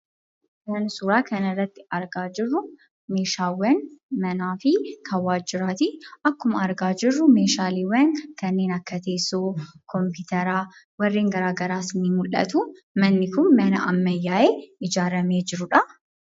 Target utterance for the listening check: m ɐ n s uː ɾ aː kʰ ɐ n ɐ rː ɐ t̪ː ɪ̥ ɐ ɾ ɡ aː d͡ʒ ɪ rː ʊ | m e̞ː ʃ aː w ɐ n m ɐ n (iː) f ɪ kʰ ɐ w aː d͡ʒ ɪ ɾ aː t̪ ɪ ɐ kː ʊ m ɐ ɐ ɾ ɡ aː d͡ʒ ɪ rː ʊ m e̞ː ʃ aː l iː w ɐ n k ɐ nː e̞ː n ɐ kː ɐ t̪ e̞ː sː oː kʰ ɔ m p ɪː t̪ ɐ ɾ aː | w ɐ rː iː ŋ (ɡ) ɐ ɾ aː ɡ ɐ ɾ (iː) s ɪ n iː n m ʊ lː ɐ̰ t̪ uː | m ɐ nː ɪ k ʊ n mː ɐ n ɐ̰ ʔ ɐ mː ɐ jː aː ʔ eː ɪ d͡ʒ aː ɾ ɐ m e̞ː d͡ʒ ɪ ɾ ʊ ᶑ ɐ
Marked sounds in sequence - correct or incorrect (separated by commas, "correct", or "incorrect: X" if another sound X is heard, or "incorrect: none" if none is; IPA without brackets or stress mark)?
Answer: incorrect: aː, correct, incorrect: aː